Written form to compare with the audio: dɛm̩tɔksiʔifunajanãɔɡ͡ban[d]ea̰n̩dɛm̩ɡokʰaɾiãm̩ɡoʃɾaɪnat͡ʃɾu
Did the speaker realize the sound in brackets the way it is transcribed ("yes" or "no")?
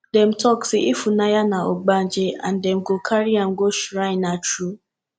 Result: no